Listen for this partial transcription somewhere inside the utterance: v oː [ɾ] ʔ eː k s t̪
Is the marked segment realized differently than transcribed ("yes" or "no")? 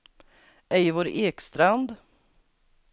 no